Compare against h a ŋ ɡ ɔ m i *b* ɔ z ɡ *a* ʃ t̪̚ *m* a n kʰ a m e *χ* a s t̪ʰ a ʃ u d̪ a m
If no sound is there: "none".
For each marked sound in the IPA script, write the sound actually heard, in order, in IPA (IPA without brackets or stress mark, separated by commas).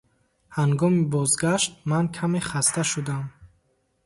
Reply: b, a, m, χ